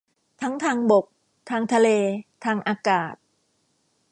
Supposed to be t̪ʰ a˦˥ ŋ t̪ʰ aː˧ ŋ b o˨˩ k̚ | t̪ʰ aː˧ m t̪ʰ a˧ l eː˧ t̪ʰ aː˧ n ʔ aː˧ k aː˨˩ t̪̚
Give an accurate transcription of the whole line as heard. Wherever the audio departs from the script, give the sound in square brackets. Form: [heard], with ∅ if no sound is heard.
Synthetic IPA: t̪ʰ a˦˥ ŋ t̪ʰ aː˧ ŋ b o˨˩ k̚ | t̪ʰ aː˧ [ŋ] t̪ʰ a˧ l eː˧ t̪ʰ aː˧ [ŋ] ʔ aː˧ k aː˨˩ t̪̚